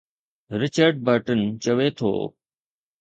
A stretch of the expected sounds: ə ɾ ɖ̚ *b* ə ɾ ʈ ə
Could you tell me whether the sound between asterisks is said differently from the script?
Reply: no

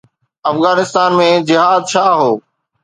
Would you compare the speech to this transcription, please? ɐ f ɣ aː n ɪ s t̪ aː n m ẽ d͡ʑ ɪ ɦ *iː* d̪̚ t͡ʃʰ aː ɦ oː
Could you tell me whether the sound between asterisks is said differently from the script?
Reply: yes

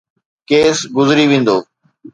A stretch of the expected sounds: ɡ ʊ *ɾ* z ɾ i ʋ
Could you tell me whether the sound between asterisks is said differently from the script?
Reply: yes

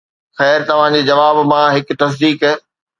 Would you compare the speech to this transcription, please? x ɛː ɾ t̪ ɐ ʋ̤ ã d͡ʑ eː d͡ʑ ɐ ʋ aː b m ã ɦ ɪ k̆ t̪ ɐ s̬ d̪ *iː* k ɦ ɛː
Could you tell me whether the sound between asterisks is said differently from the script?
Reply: no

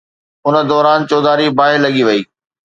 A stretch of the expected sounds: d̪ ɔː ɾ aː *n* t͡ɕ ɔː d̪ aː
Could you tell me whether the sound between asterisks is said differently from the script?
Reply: no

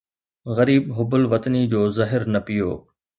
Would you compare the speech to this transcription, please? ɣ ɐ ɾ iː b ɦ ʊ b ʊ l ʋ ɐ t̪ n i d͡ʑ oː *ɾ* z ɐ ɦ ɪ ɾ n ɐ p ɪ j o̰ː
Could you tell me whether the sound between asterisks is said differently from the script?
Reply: yes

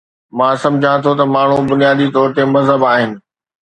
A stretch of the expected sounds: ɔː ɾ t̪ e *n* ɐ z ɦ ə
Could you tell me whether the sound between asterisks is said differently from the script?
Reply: yes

